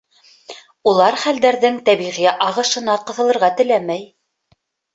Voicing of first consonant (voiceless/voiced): voiced